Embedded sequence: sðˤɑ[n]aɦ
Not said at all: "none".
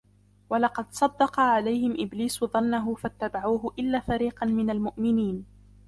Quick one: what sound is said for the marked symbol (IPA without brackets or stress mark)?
nː